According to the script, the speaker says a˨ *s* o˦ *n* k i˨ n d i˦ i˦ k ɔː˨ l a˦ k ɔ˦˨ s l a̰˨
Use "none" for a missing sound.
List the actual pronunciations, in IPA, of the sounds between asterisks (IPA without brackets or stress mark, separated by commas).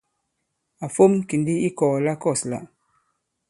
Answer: f, m